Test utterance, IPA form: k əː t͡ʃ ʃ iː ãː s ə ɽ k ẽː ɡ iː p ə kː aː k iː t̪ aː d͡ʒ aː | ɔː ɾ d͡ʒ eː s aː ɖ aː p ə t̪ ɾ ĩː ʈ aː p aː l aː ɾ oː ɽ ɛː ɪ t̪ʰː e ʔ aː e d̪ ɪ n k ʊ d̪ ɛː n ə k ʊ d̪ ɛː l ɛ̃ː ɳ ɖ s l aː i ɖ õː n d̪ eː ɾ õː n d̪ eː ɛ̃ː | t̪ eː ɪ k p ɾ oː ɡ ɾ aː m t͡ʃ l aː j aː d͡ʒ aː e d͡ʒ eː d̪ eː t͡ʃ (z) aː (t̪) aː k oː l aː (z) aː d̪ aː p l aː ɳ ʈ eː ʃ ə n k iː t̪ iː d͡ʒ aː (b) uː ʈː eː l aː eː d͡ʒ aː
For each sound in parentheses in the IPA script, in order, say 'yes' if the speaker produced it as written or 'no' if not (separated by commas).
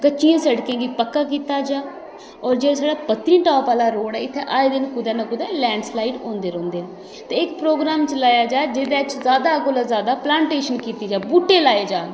yes, no, yes, yes